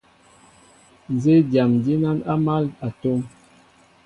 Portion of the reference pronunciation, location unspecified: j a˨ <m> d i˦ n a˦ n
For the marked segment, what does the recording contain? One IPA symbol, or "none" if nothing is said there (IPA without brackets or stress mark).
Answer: m